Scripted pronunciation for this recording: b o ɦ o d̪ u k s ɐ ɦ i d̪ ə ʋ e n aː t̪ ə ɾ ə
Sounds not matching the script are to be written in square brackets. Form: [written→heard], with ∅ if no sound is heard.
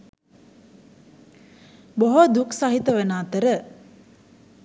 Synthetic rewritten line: b o ɦ o d̪ u k s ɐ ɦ i [d̪→t̪] ə ʋ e n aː t̪ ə ɾ ə